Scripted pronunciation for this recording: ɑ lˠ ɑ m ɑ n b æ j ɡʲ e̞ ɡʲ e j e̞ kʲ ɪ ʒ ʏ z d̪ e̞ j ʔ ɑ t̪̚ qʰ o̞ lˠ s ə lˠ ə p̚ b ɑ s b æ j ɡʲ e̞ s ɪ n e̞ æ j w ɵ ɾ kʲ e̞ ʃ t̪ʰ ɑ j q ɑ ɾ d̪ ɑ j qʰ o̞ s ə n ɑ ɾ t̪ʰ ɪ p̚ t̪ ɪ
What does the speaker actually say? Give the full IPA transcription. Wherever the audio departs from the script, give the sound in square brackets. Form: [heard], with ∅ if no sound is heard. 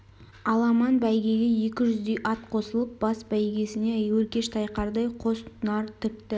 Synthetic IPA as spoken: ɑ lˠ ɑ m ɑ n b æ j ɡʲ e̞ ɡʲ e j e̞ kʲ ɪ ʒ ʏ z d̪ e̞ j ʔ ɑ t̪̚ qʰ o̞ [∅] s ə lˠ ə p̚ b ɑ s b æ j ɡʲ e̞ s ɪ n e̞ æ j w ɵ ɾ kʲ e̞ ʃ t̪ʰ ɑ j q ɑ ɾ d̪ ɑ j qʰ o̞ s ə n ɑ ɾ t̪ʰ ɪ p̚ t̪ ɪ

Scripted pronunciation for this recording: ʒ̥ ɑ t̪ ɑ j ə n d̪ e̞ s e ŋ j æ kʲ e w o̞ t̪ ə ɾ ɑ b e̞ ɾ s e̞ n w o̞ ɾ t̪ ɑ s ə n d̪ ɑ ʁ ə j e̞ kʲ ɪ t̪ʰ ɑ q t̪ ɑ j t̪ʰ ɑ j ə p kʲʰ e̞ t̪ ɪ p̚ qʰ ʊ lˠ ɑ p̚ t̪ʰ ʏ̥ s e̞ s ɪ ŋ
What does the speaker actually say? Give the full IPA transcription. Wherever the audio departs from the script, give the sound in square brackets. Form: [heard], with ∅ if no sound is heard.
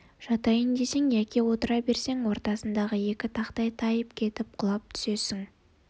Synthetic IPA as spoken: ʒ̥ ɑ t̪ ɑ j ə n d̪ e̞ s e ŋ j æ kʲ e w o̞ t̪ ə ɾ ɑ b e̞ ɾ s e̞ [ŋ] w o̞ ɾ t̪ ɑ s ə n d̪ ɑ ʁ ə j e̞ kʲ ɪ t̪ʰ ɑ q t̪ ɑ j t̪ʰ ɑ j ə p kʲʰ e̞ t̪ ɪ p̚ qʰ ʊ lˠ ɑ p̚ t̪ʰ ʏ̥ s e̞ s ɪ ŋ

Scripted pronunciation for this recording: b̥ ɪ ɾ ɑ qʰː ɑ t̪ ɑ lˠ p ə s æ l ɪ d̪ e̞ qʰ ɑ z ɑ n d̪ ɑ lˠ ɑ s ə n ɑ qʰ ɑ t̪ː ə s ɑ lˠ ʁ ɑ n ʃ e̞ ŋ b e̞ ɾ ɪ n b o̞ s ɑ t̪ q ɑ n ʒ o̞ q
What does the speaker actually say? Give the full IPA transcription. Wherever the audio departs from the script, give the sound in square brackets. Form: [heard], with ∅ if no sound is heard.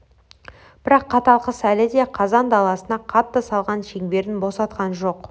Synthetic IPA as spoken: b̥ ɪ ɾ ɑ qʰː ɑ t̪ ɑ lˠ [q] ə s æ l ɪ d̪ e̞ qʰ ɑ z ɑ n d̪ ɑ lˠ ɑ s ə n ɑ qʰ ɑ t̪ː ə s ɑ lˠ ʁ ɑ n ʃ e̞ ŋ b e̞ ɾ ɪ n b o̞ s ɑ t̪ q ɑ n ʒ o̞ q

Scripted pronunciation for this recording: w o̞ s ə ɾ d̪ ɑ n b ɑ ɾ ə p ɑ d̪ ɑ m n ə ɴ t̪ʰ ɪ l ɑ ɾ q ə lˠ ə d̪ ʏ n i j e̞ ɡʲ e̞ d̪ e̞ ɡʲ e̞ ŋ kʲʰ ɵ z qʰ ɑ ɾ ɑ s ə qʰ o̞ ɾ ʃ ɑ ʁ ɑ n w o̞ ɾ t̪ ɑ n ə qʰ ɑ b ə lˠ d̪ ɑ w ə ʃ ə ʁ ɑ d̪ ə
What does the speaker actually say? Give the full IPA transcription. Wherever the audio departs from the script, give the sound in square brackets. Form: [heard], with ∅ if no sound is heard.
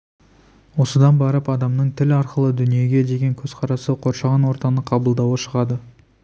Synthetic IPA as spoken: w o̞ s ə [∅] d̪ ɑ n b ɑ ɾ ə p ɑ d̪ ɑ m n ə ɴ t̪ʰ ɪ l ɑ ɾ q ə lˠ ə d̪ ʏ n i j e̞ ɡʲ e̞ d̪ e̞ ɡʲ e̞ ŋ kʲʰ ɵ z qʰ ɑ ɾ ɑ s ə qʰ o̞ ɾ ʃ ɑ ʁ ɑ n w o̞ ɾ t̪ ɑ n ə qʰ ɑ b ə lˠ d̪ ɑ w ə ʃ ə ʁ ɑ d̪ ə

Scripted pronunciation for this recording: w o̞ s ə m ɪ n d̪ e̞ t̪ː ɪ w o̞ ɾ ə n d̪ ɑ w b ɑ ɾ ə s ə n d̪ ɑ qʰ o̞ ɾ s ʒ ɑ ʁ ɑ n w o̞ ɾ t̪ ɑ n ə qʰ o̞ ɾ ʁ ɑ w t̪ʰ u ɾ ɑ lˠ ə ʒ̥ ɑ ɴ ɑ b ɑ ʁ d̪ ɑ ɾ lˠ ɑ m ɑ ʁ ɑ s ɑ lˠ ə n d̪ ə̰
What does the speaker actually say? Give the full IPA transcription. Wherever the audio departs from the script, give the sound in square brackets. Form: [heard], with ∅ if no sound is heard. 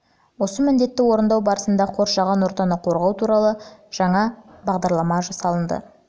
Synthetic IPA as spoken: w o̞ s ə m ɪ n d̪ e̞ t̪ː ɪ w o̞ ɾ ə n d̪ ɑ w b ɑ ɾ ə s ə n d̪ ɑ qʰ o̞ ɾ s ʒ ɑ ʁ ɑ n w o̞ ɾ t̪ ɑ n ə qʰ o̞ ɾ ʁ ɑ w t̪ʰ u ɾ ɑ lˠ ə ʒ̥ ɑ ɴ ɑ b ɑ ʁ d̪ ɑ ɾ lˠ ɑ m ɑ [ʒ] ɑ s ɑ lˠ ə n d̪ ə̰

